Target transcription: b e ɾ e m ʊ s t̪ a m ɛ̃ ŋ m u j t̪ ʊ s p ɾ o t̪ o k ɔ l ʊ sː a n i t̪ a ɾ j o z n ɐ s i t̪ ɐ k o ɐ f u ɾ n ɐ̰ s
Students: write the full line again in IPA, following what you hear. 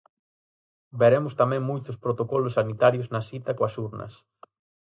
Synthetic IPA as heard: b e ɾ e m ʊ s t̪ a m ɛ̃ ŋ m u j t̪ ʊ s p ɾ o t̪ o k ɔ l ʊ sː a n i t̪ a ɾ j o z n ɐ s i t̪ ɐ k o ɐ s u ɾ n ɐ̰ s

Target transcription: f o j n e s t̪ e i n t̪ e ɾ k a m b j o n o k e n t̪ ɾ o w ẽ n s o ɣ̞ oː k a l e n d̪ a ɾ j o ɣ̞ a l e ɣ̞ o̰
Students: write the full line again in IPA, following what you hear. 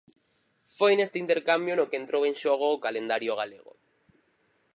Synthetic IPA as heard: f o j n e s t̪ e i n t̪ e ɾ k a m b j o n o k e n t̪ ɾ o w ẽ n ʃ o ɣ̞ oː k a l e n d̪ a ɾ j o ɣ̞ a l e ɣ̞ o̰

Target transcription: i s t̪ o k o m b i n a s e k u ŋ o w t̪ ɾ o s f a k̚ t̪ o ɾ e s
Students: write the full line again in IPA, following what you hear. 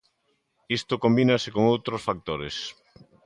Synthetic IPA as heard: i s t̪ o k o m b i n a s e k o ŋ o w t̪ ɾ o s f a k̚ t̪ o ɾ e s

